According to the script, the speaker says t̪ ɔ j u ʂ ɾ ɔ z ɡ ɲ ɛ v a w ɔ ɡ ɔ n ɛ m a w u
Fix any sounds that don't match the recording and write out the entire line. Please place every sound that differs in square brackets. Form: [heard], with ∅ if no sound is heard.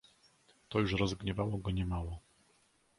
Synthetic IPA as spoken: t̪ ɔ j u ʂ ɾ ɔ z ɡ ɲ ɛ v a w ɔ ɡ ɔ [ɲ] ɛ m a w [ɔ]